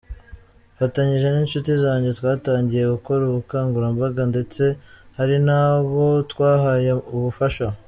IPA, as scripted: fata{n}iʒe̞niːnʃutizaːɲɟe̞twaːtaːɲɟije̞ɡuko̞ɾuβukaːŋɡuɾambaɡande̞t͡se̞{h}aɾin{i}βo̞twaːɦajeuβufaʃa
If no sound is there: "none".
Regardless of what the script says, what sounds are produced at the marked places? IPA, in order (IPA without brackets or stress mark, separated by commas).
ɲ, h, a